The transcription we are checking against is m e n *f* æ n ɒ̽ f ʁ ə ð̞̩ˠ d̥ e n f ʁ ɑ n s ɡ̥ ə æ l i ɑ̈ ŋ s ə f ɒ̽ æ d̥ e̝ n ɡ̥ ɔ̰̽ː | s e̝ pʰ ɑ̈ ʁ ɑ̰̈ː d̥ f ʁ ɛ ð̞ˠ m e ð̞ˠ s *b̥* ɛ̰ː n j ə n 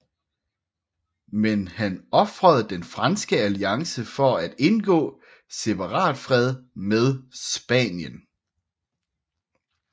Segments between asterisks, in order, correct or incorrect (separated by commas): incorrect, correct